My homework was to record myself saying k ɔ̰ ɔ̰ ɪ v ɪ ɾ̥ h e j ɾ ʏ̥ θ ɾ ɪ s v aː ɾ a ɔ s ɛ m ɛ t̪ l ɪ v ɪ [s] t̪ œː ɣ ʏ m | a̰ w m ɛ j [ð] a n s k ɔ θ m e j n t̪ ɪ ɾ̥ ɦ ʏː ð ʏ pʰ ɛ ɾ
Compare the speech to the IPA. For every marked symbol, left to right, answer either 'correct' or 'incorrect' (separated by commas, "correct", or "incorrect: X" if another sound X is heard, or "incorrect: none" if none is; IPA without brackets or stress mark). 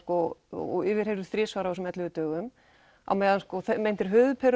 incorrect: none, correct